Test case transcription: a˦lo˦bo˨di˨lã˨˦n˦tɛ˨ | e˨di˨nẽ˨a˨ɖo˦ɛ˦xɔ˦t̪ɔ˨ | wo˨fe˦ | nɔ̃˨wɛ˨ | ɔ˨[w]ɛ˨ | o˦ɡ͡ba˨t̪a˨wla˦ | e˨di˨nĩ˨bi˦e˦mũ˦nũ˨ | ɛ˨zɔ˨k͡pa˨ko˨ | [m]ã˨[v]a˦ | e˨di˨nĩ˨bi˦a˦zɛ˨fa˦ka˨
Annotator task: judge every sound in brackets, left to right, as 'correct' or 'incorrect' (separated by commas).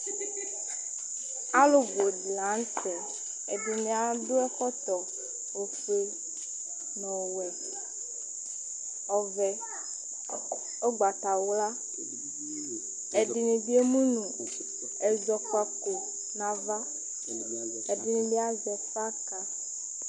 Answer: incorrect, incorrect, correct